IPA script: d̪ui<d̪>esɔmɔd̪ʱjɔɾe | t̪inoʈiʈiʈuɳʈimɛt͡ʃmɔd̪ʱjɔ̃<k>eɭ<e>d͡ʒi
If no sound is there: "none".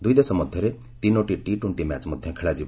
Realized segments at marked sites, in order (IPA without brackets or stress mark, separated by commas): d̪, kʰ, a